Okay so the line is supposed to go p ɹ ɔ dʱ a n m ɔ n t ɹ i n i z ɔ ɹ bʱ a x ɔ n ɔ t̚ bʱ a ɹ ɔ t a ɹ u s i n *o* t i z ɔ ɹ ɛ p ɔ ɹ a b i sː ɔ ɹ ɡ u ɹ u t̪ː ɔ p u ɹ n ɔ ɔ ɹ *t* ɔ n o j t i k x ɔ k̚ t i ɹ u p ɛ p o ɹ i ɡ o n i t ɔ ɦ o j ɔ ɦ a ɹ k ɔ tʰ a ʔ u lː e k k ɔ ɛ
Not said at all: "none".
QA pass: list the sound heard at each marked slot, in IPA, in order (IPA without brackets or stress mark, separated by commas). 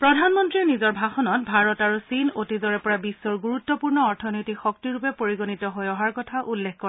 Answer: o, tʰ